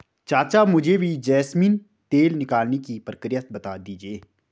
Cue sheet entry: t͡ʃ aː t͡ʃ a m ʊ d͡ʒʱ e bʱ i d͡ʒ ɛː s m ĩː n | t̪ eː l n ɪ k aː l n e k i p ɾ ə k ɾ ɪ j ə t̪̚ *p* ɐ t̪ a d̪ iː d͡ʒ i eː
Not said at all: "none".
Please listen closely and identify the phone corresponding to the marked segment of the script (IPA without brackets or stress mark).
b